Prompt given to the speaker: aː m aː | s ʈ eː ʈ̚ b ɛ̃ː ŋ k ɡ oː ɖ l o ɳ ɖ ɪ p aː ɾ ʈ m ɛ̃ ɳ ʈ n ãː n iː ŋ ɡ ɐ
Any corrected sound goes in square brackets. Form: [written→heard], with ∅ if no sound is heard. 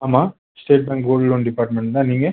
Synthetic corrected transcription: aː m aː | s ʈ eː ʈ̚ b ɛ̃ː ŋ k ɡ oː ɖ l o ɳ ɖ ɪ p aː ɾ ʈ m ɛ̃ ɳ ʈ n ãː n iː ŋ ɡ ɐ